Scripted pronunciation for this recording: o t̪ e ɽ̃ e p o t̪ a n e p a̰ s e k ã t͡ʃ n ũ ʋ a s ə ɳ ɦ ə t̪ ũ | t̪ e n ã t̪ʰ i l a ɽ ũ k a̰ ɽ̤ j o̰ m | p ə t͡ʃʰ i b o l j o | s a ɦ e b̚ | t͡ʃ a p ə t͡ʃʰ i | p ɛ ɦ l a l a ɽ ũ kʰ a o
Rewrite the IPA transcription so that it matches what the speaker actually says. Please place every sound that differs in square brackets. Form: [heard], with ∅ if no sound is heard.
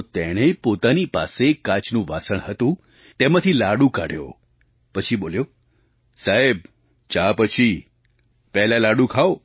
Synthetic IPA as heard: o t̪ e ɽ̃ e p o t̪ a n [i] p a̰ s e k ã t͡ʃ n ũ ʋ a s ə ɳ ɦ ə t̪ ũ | t̪ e [m] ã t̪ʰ i l a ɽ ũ k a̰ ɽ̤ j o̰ [∅] | p ə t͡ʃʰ i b o l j o | s a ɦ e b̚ | t͡ʃ a p ə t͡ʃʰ i | p ɛ ɦ l a l a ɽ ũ kʰ a o